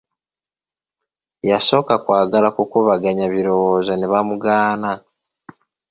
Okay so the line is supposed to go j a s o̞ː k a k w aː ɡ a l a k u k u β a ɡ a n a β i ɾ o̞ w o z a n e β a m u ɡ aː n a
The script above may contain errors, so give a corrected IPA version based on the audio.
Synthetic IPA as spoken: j a s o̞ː k a k w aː ɡ a l a k u k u β a ɡ a ɲ a β i ɾ o̞ w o z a n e β a m u ɡ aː n a